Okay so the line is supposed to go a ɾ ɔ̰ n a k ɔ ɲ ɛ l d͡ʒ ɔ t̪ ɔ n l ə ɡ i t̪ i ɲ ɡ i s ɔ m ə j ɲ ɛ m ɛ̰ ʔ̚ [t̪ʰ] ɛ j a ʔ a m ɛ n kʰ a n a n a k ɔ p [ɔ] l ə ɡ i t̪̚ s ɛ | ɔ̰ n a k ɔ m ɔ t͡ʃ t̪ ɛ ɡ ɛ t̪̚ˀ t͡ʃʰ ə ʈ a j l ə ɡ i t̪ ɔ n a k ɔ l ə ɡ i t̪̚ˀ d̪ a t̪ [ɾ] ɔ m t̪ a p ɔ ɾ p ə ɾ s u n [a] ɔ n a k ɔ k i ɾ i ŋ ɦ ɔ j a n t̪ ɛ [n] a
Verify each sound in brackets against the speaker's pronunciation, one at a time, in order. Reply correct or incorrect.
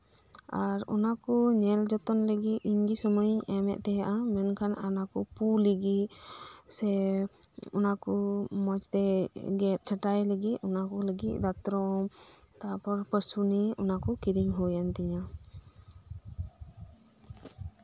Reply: incorrect, incorrect, correct, incorrect, incorrect

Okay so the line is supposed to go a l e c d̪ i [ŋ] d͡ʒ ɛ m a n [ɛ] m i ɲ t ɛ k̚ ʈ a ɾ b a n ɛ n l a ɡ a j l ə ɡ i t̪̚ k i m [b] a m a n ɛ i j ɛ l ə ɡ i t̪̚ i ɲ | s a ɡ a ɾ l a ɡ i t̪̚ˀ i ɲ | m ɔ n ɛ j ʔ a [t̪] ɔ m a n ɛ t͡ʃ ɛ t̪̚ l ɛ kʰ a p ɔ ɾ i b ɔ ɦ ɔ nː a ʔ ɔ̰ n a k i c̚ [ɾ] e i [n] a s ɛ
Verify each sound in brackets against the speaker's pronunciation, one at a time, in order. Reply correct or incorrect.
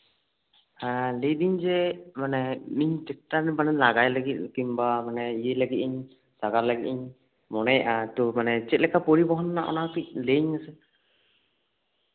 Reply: incorrect, correct, correct, correct, incorrect, incorrect

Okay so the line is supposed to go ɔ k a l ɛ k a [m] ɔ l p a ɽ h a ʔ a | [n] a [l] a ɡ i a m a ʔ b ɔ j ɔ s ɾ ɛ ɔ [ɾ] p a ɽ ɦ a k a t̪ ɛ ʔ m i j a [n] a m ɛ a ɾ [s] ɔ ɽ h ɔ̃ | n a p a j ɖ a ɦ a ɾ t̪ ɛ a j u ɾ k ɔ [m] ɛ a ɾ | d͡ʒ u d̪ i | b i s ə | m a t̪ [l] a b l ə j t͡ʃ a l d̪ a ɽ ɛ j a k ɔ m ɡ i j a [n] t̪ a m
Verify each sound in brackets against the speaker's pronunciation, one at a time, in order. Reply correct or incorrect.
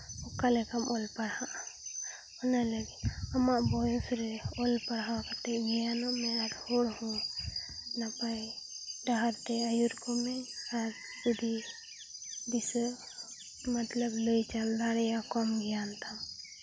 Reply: correct, correct, correct, incorrect, correct, incorrect, correct, correct, correct

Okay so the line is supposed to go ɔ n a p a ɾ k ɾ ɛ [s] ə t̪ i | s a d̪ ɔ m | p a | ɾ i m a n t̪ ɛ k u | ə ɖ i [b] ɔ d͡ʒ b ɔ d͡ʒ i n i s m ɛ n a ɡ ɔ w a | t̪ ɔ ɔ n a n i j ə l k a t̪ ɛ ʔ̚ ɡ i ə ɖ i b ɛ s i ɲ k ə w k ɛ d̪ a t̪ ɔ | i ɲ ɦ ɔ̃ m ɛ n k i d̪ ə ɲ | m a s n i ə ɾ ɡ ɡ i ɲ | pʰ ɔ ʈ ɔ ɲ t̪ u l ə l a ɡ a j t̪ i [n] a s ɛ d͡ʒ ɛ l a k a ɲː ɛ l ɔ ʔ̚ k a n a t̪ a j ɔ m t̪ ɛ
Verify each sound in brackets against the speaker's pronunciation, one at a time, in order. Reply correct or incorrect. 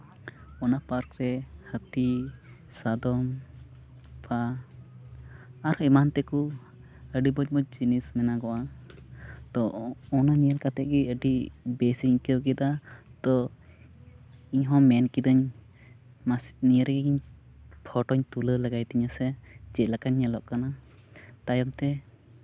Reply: incorrect, correct, incorrect

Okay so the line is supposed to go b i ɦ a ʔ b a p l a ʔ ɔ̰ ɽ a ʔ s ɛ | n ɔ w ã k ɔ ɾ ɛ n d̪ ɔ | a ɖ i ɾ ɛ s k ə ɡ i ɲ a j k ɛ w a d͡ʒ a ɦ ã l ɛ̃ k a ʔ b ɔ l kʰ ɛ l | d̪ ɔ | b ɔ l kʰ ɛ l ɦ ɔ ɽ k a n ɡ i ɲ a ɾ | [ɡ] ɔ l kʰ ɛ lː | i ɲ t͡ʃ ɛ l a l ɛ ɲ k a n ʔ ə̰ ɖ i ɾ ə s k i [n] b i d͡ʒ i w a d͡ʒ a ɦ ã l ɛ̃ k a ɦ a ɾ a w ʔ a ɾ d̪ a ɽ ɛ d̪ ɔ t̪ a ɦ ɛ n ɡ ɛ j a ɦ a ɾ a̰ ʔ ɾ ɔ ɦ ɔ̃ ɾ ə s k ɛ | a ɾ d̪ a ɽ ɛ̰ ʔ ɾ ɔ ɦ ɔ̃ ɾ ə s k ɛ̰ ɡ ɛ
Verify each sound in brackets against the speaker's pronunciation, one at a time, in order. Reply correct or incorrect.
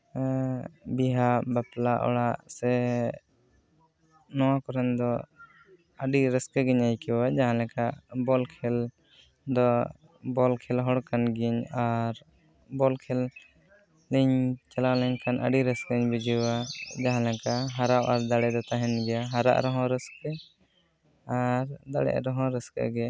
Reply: incorrect, incorrect

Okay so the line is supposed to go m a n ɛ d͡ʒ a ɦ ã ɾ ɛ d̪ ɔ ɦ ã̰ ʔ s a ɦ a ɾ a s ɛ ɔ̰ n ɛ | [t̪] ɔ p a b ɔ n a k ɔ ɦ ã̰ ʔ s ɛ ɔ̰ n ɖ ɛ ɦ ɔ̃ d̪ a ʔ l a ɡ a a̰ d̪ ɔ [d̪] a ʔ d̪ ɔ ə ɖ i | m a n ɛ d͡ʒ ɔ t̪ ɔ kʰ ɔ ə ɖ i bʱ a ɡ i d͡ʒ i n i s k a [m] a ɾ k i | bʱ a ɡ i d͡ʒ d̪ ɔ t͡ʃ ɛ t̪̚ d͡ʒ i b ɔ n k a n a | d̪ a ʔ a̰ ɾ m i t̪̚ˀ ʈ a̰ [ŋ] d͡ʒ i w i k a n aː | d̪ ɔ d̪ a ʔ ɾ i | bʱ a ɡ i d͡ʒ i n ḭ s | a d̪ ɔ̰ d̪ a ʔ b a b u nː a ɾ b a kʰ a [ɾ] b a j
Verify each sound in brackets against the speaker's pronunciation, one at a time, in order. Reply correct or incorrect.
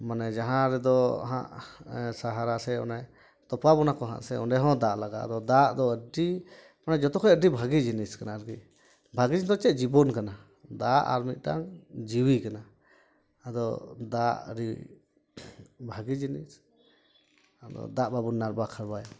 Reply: correct, correct, incorrect, correct, correct

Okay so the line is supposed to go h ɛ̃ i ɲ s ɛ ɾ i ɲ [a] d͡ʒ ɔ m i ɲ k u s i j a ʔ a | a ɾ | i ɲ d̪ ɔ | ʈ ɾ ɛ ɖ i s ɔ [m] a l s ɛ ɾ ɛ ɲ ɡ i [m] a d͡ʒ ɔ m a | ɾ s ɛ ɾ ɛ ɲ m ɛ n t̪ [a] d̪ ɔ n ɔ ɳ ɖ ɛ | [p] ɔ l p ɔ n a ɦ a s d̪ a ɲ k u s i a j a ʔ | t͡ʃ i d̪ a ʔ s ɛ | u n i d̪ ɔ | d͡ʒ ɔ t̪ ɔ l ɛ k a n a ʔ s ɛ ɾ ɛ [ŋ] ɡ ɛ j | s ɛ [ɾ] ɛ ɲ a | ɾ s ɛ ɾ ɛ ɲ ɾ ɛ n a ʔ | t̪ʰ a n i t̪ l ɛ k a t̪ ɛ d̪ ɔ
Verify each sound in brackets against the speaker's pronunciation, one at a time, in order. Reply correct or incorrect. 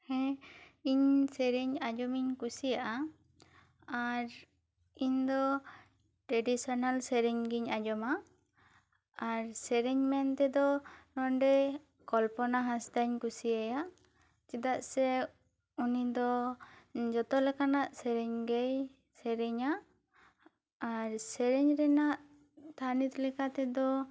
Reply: correct, incorrect, incorrect, incorrect, incorrect, incorrect, correct

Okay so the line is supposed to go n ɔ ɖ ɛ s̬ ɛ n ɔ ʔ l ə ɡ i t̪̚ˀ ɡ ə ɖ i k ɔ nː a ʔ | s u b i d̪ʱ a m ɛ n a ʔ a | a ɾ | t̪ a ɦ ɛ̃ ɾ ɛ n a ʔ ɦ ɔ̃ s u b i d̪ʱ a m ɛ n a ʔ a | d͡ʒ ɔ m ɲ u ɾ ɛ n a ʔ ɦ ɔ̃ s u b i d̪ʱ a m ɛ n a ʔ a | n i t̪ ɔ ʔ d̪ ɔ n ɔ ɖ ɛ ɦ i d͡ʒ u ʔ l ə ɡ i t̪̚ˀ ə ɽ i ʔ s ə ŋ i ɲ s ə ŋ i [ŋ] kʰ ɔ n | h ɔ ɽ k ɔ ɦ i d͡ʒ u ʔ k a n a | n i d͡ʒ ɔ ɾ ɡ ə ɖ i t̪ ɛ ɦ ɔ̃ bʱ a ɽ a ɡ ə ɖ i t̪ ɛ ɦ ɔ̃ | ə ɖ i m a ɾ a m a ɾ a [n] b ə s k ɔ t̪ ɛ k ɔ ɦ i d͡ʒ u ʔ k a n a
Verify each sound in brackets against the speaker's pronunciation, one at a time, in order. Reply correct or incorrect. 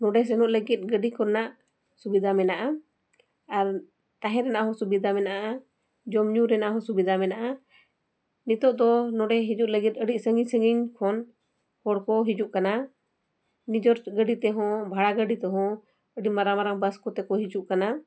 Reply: incorrect, incorrect

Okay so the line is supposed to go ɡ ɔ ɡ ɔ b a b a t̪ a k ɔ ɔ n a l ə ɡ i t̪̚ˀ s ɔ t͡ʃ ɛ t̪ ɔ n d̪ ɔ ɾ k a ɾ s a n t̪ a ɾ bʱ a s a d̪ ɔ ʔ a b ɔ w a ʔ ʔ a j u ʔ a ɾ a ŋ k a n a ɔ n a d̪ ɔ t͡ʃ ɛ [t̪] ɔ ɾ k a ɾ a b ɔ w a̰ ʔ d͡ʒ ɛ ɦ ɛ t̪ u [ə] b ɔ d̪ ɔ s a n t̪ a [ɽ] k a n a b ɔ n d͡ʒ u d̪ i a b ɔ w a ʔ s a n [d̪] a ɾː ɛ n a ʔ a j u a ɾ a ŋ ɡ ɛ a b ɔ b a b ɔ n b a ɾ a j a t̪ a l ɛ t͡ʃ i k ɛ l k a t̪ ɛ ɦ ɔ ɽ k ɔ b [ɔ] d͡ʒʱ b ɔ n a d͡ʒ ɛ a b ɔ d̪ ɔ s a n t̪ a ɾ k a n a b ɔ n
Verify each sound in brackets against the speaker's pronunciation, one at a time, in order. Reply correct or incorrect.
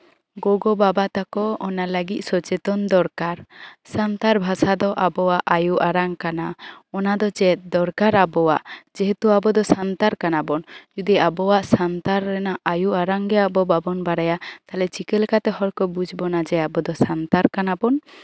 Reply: incorrect, incorrect, incorrect, incorrect, incorrect

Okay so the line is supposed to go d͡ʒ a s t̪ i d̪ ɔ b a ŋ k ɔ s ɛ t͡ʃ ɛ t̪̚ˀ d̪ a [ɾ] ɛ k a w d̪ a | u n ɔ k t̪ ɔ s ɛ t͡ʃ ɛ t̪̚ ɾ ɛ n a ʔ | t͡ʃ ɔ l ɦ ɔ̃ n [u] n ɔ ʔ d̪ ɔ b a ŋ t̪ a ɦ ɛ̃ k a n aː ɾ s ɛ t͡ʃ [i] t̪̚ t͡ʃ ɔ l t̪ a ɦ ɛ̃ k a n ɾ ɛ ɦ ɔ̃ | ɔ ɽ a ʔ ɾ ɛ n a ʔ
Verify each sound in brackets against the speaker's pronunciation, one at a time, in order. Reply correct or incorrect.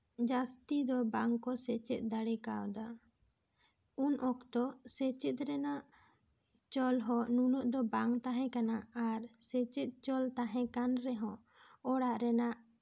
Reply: incorrect, correct, incorrect

